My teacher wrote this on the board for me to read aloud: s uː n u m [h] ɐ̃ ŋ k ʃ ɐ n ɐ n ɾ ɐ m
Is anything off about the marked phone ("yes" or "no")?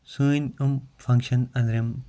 yes